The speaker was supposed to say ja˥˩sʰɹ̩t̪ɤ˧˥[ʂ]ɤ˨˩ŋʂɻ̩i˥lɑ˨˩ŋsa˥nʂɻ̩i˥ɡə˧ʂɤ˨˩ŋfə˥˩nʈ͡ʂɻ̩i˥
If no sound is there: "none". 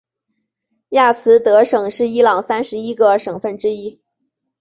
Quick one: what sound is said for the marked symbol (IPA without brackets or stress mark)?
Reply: ʂ